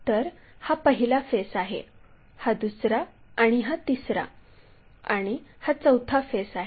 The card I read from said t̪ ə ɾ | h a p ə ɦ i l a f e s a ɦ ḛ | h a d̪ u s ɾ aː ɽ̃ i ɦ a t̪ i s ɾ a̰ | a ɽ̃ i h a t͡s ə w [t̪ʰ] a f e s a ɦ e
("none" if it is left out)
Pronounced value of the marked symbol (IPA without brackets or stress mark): t̪ʰ